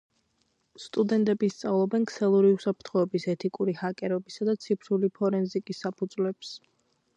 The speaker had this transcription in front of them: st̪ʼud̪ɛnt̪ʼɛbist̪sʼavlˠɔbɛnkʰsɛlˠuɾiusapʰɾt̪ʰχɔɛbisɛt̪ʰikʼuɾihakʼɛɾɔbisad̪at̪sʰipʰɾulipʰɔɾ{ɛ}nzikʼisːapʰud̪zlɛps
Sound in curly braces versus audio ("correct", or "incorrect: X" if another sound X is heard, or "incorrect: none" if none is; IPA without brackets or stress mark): correct